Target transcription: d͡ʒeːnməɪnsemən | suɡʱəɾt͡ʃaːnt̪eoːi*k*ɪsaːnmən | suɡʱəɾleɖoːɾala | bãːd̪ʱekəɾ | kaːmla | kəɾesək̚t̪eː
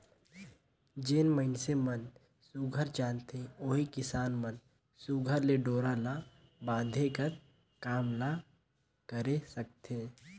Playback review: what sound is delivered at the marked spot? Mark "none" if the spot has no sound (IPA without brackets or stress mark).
k